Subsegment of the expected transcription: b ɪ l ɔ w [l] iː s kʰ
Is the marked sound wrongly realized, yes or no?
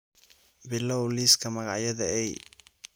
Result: no